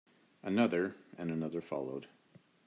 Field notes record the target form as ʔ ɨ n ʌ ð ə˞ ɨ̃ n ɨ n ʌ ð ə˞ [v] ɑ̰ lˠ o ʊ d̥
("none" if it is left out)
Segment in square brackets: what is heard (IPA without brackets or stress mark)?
f